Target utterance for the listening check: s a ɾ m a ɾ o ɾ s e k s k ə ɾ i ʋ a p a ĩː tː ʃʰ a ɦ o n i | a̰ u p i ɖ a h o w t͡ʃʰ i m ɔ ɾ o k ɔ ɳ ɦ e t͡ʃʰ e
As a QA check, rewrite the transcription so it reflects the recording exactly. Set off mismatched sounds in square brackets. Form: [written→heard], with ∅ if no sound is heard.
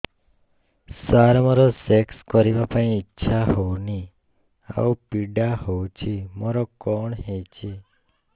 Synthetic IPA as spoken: s a ɾ m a ɾ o [ɾ→∅] s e k s k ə ɾ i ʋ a p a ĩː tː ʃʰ a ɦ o n i | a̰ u p i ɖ a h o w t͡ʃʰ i m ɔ ɾ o k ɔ ɳ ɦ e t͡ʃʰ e